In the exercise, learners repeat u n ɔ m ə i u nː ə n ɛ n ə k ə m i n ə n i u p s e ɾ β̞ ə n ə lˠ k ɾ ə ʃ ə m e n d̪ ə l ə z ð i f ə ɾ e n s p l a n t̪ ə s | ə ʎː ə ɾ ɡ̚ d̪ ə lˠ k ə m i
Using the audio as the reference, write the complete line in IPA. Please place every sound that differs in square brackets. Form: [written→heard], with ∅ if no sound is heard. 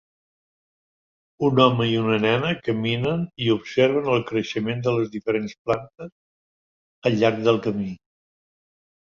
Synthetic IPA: u n ɔ m ə i u [nː→n] ə n ɛ n ə k ə m i n ə n i u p s e ɾ β̞ ə n ə lˠ k ɾ ə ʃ ə m e n d̪ ə l ə z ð i f ə ɾ e n s p l a n t̪ ə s | ə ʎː [ə→a] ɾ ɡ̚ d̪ ə lˠ k ə m i